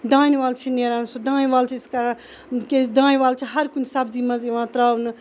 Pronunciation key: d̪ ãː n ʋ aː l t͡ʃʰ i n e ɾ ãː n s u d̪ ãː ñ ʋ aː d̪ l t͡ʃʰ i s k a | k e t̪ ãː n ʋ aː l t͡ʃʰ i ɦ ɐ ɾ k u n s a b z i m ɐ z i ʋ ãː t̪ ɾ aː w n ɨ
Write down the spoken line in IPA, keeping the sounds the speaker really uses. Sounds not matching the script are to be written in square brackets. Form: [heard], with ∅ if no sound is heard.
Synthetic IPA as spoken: d̪ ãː n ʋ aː l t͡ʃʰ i n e ɾ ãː n s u d̪ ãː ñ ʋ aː [∅] l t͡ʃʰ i s k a | k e [d̪] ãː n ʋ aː l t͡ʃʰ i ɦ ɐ ɾ k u n s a b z i m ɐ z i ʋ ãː t̪ ɾ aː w n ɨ

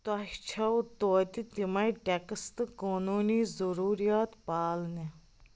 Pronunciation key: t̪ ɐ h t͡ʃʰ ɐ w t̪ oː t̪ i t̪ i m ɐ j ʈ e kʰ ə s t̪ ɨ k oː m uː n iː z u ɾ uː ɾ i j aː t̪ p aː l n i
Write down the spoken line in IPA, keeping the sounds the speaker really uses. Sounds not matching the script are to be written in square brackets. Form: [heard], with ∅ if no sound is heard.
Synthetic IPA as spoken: t̪ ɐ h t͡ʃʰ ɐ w t̪ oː t̪ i t̪ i m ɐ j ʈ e [k] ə s t̪ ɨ k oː [n] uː n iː z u ɾ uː ɾ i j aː t̪ p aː l n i

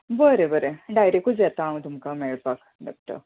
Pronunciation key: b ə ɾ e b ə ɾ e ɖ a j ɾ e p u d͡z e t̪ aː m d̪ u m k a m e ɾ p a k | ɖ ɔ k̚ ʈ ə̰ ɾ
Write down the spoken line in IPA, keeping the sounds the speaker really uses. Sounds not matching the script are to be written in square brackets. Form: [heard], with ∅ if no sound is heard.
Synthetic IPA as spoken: b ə ɾ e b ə ɾ e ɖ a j ɾ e [k] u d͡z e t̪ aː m [t̪] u m k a m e [ɭ] p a k | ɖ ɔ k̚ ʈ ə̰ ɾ

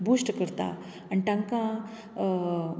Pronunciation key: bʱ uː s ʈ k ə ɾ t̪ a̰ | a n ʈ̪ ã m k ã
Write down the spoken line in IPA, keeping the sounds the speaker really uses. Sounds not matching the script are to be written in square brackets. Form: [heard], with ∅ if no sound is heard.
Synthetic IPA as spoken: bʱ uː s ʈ k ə ɾ t̪ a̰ | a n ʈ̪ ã [ŋ] k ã

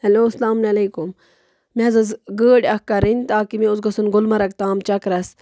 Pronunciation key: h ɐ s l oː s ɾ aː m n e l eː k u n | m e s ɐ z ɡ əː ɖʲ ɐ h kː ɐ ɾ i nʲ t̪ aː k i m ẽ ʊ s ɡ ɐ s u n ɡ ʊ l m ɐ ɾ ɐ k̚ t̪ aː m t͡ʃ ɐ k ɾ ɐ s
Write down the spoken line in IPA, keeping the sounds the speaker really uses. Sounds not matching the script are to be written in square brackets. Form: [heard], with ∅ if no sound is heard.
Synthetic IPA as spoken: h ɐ [∅] l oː s [l] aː m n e l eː k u [m] | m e [z] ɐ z ɡ əː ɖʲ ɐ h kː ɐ ɾ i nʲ t̪ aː k i m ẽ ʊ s ɡ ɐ s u n ɡ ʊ l m ɐ ɾ ɐ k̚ t̪ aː m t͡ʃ ɐ k ɾ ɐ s

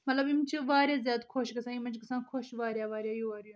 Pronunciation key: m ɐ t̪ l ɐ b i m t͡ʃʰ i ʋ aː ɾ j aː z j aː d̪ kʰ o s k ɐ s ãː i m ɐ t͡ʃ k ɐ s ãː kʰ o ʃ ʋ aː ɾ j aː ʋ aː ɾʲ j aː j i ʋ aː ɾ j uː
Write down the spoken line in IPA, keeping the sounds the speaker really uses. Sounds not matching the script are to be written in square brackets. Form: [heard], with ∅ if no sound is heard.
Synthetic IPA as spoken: m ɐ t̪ l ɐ b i m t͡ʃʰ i ʋ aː ɾ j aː z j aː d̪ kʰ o [ʃ] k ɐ s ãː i m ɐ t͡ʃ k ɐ s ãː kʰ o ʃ ʋ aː ɾ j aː ʋ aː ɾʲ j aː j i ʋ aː ɾ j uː

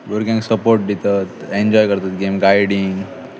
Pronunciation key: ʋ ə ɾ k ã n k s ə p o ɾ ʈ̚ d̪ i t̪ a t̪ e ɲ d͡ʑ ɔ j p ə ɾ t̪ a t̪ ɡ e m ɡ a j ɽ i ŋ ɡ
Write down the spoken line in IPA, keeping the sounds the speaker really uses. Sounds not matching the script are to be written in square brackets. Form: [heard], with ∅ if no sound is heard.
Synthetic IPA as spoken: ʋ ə ɾ k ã [ŋ] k s ə p o ɾ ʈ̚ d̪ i t̪ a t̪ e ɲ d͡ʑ ɔ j [k] ə ɾ t̪ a t̪ ɡ e m ɡ a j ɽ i ŋ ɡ

